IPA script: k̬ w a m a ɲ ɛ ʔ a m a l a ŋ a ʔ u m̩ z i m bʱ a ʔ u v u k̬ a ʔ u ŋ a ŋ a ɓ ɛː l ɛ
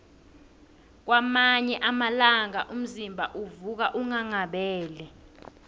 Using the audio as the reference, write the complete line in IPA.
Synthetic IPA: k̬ w a m a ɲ ɛ ʔ a m a l a ŋ a ʔ u m̩ z i m bʱ a ʔ u v u k̬ a ʔ u ŋ a ŋ a ɓ ɛː l ɛ